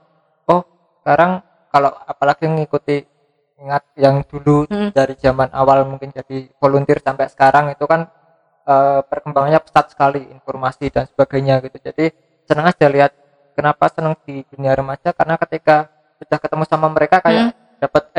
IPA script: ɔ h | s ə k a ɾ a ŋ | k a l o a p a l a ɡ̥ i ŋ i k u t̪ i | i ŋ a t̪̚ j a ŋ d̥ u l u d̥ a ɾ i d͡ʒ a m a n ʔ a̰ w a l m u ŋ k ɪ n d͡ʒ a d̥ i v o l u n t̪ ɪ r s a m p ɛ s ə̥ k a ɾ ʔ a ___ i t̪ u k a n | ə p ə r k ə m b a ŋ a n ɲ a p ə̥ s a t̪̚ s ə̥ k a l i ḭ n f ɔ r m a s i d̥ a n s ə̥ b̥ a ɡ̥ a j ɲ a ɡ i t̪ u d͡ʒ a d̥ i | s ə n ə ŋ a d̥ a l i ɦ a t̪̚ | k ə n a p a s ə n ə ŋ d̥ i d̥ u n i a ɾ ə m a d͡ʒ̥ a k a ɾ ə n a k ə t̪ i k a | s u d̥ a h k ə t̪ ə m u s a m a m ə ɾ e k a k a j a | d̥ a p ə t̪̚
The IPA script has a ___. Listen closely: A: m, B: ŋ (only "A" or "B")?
B